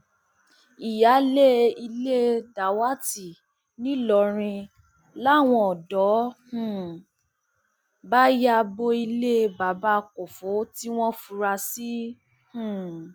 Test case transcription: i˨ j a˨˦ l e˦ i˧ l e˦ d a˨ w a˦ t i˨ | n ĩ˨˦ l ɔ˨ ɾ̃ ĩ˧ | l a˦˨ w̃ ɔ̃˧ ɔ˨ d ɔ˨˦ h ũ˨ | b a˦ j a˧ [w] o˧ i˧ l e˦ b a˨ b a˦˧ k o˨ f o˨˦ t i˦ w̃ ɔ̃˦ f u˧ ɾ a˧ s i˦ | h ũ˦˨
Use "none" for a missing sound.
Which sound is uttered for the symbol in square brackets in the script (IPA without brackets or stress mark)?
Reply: b